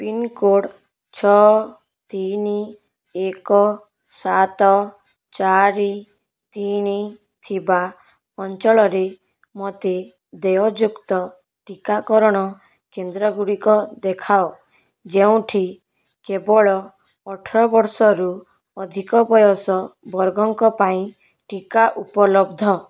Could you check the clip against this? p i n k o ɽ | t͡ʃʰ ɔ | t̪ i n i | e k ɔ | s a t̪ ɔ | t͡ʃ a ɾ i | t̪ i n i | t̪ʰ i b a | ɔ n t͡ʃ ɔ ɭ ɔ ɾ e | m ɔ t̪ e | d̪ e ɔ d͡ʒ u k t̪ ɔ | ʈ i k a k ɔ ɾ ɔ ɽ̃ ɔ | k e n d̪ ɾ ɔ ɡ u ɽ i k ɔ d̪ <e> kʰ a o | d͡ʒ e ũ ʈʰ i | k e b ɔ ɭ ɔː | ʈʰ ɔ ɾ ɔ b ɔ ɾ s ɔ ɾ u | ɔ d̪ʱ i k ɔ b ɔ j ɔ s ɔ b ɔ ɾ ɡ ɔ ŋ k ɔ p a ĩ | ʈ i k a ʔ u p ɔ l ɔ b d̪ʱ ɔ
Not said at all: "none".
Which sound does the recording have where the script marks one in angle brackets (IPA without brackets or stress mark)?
e